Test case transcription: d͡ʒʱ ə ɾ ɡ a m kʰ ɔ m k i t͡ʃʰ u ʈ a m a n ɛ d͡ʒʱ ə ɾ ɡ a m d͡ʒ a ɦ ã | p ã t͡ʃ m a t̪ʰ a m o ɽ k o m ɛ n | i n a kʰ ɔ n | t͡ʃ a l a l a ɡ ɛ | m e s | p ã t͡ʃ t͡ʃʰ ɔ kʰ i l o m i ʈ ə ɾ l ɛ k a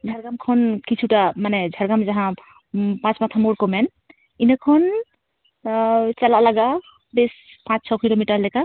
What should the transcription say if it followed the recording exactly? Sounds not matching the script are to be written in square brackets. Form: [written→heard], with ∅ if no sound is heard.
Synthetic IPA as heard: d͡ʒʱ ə ɾ ɡ a m kʰ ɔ [m→n] k i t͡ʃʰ u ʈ a m a n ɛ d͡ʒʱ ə ɾ ɡ a m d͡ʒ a ɦ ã | p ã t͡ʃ m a t̪ʰ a m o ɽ k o m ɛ n | i n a kʰ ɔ n | t͡ʃ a l a l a ɡ [ɛ→a] | [m→b] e s | p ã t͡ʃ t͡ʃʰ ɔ [kʰ→k] i l o m i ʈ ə ɾ l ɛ k a